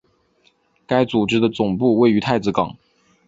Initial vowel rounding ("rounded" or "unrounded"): unrounded